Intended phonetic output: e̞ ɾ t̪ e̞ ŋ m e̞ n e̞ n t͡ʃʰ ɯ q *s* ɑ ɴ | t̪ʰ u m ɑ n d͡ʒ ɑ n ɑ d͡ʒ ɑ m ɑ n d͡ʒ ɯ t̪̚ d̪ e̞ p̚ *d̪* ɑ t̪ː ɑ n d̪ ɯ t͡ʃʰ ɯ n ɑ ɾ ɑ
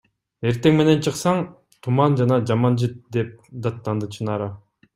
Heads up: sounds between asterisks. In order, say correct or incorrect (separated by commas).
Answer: correct, correct